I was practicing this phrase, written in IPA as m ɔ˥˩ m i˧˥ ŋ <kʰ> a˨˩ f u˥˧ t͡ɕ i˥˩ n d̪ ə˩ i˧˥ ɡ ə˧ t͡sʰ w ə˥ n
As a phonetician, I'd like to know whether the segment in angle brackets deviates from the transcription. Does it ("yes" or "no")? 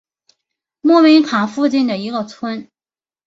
no